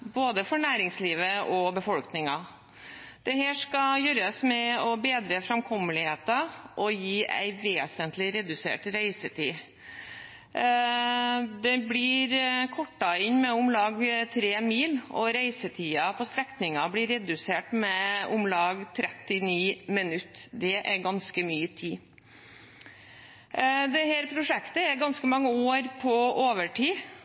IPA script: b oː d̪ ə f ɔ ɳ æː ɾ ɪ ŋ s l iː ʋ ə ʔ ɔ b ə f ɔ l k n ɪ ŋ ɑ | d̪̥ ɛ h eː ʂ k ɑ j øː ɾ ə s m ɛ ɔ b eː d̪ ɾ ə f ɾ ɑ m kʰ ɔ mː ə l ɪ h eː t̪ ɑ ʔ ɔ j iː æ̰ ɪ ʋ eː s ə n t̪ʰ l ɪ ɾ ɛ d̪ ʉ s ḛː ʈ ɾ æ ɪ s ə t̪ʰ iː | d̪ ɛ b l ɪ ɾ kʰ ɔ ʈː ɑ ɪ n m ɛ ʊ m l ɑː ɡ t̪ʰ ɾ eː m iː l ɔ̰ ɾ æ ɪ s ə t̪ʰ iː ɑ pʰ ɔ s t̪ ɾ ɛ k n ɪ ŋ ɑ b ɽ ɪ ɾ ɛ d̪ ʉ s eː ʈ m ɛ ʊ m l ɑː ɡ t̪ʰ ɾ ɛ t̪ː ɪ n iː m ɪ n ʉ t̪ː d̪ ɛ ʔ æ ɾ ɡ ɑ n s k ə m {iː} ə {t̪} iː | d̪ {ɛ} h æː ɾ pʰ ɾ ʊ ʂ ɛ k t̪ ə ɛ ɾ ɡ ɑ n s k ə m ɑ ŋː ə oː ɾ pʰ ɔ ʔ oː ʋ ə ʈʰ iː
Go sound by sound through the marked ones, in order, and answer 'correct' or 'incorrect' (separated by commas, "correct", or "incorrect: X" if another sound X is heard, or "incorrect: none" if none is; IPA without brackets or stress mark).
incorrect: yː, incorrect: t̪ʰ, correct